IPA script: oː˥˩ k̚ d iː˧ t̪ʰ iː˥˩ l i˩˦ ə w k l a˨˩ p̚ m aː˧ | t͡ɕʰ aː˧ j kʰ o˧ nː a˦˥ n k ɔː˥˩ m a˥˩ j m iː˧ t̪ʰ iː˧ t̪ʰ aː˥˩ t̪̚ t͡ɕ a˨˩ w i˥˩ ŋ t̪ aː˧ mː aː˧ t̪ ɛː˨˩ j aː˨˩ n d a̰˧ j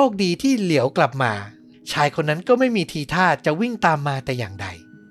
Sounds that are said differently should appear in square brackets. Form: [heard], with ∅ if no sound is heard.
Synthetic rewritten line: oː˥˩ k̚ d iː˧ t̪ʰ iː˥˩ l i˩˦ ə w k l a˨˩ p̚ m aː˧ | t͡ɕʰ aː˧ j kʰ o˧ nː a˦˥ n k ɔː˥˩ m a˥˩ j m iː˧ t̪ʰ iː˧ t̪ʰ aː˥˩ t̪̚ t͡ɕ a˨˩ w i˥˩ ŋ t̪ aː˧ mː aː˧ t̪ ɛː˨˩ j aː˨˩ [ŋ] d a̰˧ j